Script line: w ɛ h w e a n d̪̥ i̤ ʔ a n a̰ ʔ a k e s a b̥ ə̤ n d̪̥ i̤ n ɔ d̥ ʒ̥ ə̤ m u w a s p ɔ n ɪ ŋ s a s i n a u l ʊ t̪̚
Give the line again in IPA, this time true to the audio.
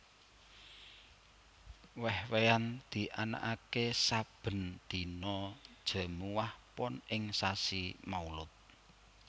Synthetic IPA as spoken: w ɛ h w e a n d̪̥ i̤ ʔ a n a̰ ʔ a k e s a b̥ ə̤ n d̪̥ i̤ n ɔ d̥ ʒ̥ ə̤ m u w a h p ɔ n ɪ ŋ s a s i m a u l ʊ t̪̚